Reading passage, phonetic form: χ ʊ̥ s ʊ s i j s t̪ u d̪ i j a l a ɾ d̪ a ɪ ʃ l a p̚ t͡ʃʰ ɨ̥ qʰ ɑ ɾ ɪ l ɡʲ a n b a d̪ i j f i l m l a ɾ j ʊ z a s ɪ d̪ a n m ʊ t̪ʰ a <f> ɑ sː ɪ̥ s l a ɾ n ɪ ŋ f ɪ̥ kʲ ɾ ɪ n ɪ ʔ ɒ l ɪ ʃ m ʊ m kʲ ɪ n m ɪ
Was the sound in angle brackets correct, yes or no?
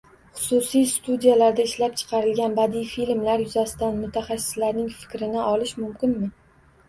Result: no